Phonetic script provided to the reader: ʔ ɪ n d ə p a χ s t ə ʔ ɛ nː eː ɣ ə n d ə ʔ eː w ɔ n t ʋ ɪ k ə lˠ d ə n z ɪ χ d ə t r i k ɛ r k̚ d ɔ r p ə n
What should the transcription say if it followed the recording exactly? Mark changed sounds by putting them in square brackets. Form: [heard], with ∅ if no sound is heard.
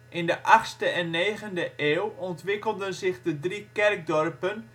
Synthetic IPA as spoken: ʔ ɪ n d ə [ʔ] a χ s t ə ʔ ɛ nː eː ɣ ə n d ə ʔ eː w ɔ n t ʋ ɪ k ə lˠ d ə n z ɪ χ d ə [d] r i k ɛ r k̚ d ɔ r p ə n